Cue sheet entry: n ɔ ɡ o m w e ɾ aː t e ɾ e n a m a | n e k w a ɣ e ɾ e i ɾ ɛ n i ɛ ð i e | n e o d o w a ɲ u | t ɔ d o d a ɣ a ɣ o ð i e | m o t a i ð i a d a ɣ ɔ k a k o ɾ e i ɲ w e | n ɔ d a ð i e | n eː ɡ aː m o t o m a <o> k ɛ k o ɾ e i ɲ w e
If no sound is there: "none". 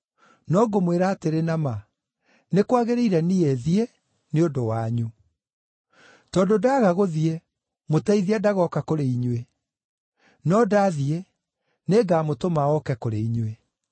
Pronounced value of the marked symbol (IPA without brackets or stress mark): ɔ